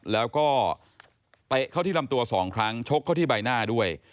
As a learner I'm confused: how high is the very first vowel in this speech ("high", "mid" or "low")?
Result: mid